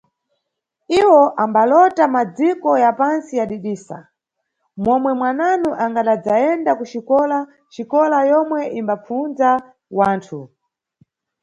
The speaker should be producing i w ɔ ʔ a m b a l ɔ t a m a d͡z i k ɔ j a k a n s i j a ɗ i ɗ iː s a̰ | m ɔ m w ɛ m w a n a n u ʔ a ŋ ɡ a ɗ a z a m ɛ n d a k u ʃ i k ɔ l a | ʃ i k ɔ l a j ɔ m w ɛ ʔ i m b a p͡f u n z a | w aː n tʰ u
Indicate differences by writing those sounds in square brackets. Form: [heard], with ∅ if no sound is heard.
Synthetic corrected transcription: i w ɔ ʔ a m b a l ɔ t a m a d͡z i k ɔ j a [p] a n s i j a ɗ i ɗ iː s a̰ | m ɔ m w ɛ m w a n a n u ʔ a ŋ ɡ a ɗ a [d͡z] a [∅] ɛ n d a k u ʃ i k ɔ l a | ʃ i k ɔ l a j ɔ m w ɛ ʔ i m b a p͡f u n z a | w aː n tʰ u